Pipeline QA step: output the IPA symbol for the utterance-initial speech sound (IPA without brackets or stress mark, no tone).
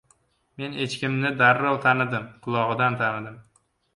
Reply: m